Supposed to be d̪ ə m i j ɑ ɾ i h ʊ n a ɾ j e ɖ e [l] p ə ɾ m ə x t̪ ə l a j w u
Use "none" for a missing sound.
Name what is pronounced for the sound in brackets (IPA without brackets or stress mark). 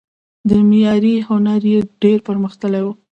ɾ